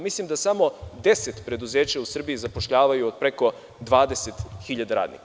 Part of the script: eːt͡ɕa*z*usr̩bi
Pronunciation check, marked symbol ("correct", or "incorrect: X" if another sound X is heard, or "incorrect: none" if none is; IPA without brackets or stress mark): incorrect: none